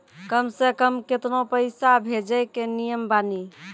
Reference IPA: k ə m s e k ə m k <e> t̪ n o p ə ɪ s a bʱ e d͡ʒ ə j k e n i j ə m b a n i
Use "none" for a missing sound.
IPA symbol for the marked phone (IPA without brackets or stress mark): e